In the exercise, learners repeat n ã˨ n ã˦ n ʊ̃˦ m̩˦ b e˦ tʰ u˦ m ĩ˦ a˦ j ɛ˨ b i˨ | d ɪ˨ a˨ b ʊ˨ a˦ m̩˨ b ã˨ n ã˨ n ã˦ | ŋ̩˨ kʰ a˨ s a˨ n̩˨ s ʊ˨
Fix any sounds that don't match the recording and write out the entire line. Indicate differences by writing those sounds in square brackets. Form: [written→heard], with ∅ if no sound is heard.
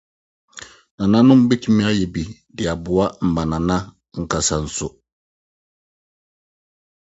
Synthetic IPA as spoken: n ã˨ n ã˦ n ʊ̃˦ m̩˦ b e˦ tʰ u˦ m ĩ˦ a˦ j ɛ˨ b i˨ | d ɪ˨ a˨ b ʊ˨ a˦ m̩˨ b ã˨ n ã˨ n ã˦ | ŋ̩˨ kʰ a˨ s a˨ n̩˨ s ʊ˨